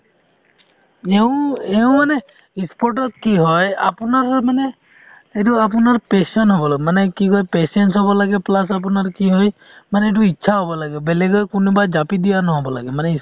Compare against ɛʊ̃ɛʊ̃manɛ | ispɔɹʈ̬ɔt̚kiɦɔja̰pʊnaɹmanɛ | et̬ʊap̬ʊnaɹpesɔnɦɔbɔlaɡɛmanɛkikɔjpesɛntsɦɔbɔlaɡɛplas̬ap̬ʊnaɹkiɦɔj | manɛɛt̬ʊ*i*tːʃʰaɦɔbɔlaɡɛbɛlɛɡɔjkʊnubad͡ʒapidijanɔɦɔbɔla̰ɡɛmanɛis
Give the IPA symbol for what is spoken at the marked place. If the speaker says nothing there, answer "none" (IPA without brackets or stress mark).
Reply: i